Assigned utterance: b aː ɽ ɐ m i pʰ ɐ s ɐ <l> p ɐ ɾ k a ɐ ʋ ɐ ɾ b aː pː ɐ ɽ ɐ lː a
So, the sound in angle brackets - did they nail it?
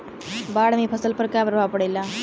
yes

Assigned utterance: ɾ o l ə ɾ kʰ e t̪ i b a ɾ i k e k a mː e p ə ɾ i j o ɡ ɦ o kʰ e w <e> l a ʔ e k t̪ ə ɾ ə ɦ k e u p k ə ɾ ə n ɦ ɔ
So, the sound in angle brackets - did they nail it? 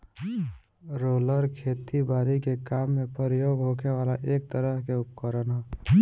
no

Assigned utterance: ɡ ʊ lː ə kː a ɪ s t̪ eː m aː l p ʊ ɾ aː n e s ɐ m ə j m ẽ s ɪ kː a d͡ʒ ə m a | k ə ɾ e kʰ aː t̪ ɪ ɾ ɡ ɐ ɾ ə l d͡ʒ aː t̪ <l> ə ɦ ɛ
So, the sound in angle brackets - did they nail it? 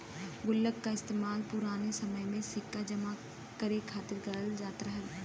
no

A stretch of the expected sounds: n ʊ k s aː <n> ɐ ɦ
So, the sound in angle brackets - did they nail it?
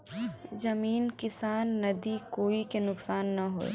no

